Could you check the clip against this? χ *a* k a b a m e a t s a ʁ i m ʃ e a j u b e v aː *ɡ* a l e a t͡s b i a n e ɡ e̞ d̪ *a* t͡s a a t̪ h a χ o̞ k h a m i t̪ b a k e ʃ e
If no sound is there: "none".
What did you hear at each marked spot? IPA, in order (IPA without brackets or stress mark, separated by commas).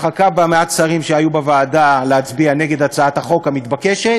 a, d, a